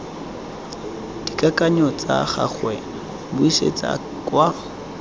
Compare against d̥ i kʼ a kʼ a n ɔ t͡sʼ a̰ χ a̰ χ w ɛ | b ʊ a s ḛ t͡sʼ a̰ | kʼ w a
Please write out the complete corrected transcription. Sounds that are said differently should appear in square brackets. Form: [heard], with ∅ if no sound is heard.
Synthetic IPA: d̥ i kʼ a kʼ a [ɲ] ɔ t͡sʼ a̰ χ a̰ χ w ɛ | b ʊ [i] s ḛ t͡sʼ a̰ | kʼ w a